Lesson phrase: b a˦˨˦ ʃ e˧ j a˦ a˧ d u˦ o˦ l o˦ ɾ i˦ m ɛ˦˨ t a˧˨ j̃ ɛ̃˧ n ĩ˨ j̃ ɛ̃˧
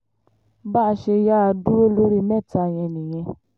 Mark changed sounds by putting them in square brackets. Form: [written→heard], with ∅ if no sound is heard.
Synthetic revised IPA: b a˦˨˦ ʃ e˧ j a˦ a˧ d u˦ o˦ l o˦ ɾ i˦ m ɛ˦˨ t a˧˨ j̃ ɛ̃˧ n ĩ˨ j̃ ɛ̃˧